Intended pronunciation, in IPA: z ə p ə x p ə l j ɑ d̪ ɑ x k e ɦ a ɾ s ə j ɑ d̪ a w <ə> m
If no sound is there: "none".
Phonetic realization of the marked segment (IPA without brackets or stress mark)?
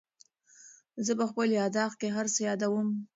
ə